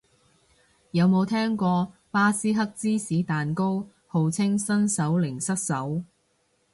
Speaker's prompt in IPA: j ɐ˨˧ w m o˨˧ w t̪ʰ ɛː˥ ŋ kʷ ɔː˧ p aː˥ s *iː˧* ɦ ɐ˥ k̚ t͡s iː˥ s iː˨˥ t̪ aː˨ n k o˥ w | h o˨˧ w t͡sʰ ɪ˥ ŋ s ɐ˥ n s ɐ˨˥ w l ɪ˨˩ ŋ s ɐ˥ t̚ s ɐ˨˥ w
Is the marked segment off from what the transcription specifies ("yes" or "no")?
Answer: yes